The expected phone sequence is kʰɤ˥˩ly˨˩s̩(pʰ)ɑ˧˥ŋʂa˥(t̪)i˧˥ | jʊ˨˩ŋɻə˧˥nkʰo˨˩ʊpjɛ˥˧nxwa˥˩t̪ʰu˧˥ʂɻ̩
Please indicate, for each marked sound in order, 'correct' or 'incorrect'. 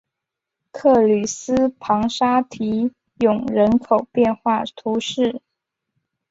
correct, incorrect

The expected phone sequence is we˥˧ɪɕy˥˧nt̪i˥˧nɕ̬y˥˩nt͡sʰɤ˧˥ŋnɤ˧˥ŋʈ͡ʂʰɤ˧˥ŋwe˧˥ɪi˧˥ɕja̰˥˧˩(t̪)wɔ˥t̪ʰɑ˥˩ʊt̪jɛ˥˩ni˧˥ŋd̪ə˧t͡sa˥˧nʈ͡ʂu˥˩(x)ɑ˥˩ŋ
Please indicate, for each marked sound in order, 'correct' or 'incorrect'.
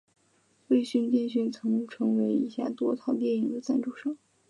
correct, incorrect

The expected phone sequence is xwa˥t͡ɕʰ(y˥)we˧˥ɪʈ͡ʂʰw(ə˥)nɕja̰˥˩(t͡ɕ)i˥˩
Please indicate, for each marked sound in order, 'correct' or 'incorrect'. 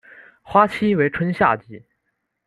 incorrect, correct, correct

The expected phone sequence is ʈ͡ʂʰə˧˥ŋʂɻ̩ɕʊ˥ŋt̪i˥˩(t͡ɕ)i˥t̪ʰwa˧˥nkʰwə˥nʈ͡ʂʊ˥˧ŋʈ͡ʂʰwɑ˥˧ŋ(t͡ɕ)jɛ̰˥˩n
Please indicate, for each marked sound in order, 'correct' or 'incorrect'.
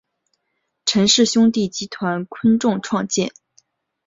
correct, correct

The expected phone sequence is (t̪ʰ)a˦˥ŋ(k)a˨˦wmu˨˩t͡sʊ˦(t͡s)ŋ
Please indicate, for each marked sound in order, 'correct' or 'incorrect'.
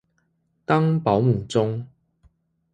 incorrect, incorrect, incorrect

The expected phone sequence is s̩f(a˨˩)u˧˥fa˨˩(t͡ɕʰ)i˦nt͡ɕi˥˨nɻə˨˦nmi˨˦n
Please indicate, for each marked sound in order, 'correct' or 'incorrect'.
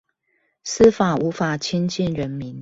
correct, correct

